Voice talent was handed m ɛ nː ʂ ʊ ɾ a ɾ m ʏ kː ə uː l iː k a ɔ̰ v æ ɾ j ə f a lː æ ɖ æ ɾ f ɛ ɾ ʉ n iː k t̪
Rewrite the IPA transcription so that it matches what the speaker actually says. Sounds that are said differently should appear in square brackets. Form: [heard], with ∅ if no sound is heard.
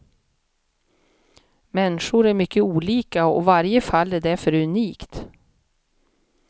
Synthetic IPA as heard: m ɛ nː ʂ ʊ ɾ [æ] ɾ m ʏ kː ə uː l iː k a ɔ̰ v [a] ɾ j ə f a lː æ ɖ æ ɾ f [œ] ɾ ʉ n iː k t̪